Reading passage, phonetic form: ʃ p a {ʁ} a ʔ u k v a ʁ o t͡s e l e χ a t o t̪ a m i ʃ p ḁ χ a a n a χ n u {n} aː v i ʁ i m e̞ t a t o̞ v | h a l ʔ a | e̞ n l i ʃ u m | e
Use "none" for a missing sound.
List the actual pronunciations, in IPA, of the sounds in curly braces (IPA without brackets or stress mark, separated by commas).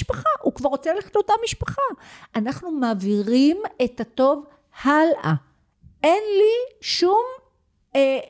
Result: χ, m